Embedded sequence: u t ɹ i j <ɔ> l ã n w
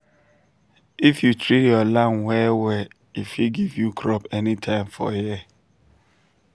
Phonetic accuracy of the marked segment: correct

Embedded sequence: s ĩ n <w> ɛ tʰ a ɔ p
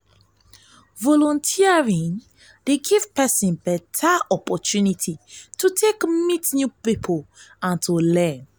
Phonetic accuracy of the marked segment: incorrect: b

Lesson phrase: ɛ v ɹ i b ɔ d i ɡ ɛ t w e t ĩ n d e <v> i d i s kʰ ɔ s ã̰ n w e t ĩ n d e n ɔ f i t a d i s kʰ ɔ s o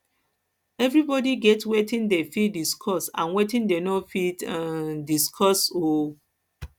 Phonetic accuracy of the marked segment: incorrect: f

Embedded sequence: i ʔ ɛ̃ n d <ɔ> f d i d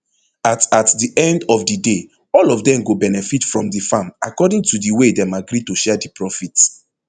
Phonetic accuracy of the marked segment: correct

